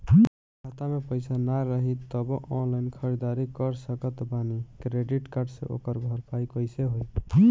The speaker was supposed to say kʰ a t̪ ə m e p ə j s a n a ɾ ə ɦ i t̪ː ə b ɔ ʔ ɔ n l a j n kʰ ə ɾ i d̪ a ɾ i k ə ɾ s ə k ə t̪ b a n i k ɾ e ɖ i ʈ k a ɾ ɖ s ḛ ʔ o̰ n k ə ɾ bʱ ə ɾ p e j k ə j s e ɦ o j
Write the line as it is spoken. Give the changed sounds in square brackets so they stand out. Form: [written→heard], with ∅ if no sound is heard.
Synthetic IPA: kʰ a t̪ [ə→a] m e p ə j s a n a ɾ ə ɦ i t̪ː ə b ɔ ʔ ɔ n l a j n kʰ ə ɾ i d̪ a ɾ i k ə ɾ s ə k ə t̪ b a n i k ɾ e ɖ i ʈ k a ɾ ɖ s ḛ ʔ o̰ [n→∅] k ə ɾ bʱ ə ɾ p [e→a] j k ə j s e ɦ o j